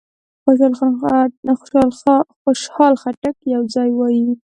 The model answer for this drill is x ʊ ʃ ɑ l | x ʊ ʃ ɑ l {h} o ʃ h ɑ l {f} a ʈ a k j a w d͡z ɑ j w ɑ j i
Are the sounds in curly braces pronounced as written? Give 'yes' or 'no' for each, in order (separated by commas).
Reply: no, no